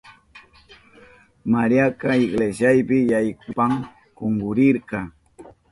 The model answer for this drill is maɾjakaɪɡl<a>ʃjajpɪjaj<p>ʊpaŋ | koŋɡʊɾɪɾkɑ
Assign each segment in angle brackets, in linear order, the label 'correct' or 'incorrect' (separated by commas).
incorrect, incorrect